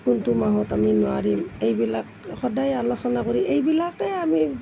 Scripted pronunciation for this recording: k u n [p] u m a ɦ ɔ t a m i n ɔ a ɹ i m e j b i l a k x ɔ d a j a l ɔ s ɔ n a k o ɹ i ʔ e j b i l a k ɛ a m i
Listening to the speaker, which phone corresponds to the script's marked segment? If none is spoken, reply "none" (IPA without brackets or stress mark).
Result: t